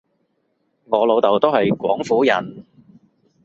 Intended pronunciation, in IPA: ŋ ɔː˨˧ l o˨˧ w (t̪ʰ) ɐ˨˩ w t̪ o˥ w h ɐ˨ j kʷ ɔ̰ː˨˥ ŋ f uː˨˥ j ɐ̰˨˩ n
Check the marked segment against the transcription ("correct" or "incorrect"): incorrect